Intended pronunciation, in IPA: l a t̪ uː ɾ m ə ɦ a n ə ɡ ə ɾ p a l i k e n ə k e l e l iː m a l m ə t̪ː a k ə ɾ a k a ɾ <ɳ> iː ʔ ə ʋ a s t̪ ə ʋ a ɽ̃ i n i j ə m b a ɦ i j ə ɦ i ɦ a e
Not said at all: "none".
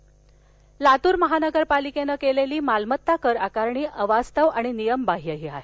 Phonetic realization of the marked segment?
ɳ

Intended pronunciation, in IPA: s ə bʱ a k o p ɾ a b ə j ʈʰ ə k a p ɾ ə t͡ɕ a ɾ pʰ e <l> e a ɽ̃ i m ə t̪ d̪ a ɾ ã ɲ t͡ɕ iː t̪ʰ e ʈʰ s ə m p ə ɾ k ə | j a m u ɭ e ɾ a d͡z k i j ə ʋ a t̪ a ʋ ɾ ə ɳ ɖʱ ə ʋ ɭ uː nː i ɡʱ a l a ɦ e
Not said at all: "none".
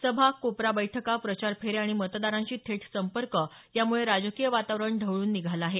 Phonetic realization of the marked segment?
ɾ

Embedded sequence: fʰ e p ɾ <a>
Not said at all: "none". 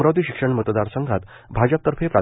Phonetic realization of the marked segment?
a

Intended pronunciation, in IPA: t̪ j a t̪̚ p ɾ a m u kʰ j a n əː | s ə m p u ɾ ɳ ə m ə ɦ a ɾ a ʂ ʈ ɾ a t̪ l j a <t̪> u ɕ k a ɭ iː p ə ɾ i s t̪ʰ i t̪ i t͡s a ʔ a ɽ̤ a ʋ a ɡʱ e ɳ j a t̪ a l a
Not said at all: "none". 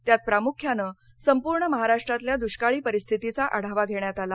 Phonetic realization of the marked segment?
d̪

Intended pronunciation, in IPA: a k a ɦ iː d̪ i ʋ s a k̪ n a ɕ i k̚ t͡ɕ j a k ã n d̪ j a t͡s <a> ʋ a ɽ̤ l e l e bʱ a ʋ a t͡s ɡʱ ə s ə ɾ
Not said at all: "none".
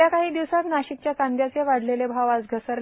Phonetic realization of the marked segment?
e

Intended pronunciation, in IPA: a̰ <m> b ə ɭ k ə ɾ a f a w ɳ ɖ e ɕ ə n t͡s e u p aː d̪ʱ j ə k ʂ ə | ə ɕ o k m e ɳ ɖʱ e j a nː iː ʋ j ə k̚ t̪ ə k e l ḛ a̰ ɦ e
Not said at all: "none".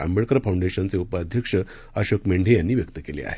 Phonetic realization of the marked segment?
m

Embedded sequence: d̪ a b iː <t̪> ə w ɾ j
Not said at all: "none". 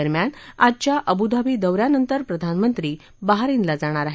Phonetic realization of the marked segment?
d̪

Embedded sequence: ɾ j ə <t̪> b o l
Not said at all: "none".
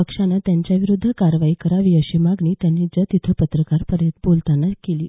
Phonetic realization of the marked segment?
t̪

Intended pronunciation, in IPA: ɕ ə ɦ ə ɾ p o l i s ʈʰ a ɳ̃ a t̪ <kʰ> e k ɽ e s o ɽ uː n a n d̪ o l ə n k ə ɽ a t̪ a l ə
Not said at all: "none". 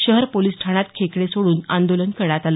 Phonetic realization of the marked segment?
kʰ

